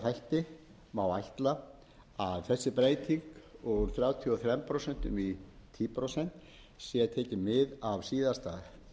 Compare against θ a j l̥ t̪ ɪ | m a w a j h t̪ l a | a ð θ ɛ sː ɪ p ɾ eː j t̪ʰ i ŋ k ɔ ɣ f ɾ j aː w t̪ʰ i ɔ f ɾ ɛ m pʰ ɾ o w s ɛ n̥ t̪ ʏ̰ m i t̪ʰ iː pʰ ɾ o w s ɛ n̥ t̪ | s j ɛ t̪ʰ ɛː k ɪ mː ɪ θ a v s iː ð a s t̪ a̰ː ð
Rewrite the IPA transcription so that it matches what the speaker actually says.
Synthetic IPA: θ a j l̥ t̪ ɪ | m a w a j h t̪ l a | a ð θ ɛ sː ɪ p ɾ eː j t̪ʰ i ŋ k ɔ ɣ θ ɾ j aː w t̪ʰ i ɔ θ ɾ ɛ m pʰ ɾ o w s ɛ n̥ t̪ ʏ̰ m i t̪ʰ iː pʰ ɾ o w s ɛ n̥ t̪ | s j ɛ t̪ʰ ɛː c ɪ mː ɪ ð a v s iː ð a s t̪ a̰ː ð